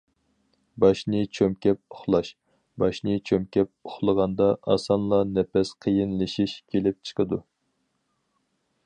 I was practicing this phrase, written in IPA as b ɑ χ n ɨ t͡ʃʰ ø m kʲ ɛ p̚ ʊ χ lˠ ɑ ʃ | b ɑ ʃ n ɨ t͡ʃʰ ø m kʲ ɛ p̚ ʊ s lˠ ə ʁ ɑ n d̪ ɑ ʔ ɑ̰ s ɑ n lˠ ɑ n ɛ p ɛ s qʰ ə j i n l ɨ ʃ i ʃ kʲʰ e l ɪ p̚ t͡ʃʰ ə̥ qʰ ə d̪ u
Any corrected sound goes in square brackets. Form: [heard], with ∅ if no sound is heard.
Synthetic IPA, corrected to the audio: b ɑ [ʃ] n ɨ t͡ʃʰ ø m kʲ ɛ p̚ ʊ χ lˠ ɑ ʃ | b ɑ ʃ n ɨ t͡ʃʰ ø m kʲ ɛ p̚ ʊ [χ] lˠ ə ʁ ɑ n d̪ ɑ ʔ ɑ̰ s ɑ n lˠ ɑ n ɛ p ɛ s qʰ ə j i n l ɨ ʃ i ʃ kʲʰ e l ɪ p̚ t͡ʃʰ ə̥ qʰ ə d̪ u